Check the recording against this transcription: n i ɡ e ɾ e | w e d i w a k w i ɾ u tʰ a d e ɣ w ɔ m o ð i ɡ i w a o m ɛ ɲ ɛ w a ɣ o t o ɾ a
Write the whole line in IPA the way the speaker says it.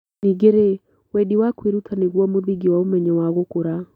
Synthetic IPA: n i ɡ e ɾ e | w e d i w a k w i ɾ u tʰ a n e ɣ w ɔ m o ð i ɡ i w a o m ɛ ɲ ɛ w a ɣ o k o ɾ a

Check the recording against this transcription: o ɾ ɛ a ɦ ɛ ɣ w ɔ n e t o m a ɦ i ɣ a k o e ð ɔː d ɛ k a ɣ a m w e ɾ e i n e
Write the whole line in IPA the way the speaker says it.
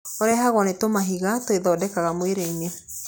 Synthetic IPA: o ɾ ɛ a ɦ a ɣ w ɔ n e t o m a ɦ i ɣ a t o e ð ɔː d ɛ k a ɣ a m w e ɾ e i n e

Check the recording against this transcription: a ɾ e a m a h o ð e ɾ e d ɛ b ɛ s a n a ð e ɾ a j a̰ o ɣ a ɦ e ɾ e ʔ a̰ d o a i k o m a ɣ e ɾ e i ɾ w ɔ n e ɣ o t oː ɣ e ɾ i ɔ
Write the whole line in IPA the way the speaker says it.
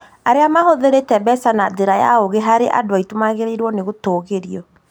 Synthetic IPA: a ɾ e a m a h o ð e ɾ e t ɛ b ɛ s a n a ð e ɾ a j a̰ o ɣ e ɦ a ɾ e ʔ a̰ d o a i t o m a ɣ e ɾ e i ɾ w ɔ n e ɣ o t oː ɣ e ɾ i ɔ

